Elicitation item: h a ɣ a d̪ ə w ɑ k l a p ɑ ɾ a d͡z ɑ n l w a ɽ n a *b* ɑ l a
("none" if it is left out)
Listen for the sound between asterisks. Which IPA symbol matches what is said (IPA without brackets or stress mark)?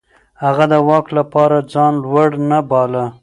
b